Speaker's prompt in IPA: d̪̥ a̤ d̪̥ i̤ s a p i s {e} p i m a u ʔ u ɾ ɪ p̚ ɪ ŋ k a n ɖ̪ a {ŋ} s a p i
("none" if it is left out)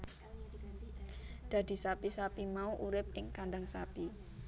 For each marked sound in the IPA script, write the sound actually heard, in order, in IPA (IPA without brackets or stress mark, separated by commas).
a, ŋ